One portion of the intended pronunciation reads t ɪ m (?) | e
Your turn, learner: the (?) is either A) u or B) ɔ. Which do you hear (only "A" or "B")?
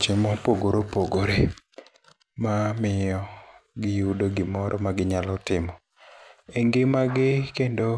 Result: B